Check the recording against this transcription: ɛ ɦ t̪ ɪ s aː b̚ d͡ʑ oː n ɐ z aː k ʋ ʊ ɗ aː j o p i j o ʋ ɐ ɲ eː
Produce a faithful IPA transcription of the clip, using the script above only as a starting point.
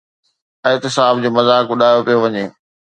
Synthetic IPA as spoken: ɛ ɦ t̪ ɪ s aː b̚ d͡ʑ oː m ɐ z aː k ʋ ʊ ɗ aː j o p i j o ʋ ɐ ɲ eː